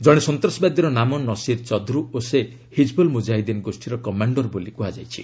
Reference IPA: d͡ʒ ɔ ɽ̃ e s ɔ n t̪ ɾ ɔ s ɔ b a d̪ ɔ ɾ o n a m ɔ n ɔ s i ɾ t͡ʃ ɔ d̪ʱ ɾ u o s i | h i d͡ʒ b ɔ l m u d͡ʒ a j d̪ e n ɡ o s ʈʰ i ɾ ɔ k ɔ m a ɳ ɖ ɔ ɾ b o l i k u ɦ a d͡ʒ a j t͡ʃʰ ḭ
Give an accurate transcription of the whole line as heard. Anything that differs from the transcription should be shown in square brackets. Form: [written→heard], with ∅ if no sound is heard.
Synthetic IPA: d͡ʒ ɔ ɽ̃ e s ɔ n t̪ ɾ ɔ s ɔ b a d̪ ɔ ɾ [o→ɔ] n a m ɔ n ɔ s i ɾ t͡ʃ ɔ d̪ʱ ɾ u o s [i→e] | h i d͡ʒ b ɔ l m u d͡ʒ a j d̪ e n ɡ o s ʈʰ i ɾ ɔ k ɔ m a ɳ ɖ ɔ ɾ b o l i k u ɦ a d͡ʒ a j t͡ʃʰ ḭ